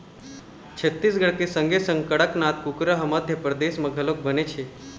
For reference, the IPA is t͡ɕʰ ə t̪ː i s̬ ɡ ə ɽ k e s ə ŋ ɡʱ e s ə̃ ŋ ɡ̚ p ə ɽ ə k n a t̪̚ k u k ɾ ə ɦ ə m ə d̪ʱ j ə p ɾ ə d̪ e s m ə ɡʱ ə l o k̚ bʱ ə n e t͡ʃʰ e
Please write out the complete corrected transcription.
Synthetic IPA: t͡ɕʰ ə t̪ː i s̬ ɡ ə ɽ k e s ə ŋ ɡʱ e s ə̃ ŋ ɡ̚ k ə ɽ ə k n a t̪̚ k u k ɾ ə ɦ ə m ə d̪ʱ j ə p ɾ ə d̪ e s m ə ɡʱ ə l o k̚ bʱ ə n e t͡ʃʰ e